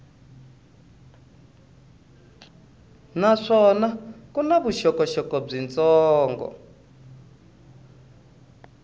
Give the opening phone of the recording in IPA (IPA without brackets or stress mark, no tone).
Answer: n